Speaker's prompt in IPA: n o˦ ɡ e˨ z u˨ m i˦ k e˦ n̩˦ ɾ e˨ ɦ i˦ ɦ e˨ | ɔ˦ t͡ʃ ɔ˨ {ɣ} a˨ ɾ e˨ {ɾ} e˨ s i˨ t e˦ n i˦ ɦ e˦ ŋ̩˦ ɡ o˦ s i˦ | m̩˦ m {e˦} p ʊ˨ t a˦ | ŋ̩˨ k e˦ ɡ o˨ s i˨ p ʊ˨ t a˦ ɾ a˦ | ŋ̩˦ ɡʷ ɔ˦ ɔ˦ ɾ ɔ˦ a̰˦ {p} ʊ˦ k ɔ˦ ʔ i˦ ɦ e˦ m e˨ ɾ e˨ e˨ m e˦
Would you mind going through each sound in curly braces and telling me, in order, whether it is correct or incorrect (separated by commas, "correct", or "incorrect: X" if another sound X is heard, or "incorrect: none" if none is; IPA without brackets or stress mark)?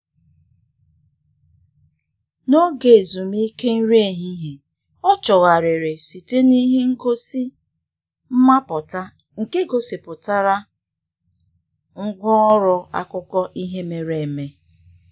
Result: correct, correct, incorrect: a˦, incorrect: k